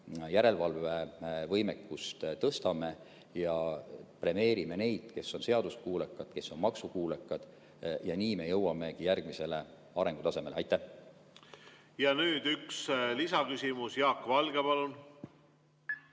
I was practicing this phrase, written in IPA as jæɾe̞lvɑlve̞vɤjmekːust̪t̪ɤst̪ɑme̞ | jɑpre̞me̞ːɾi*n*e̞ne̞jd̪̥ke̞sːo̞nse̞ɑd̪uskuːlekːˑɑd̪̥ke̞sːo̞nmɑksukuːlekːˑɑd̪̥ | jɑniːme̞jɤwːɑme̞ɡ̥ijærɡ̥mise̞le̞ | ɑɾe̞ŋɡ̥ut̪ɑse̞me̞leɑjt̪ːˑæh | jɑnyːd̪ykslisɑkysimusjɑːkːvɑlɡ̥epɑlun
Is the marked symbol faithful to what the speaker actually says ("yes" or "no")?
no